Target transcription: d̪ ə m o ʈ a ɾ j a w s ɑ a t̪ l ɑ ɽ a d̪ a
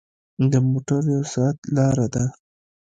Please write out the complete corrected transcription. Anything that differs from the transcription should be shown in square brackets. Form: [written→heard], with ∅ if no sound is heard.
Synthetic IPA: d̪ ə m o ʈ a ɾ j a w s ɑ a t̪ l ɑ [ɽ→ɾ] a d̪ a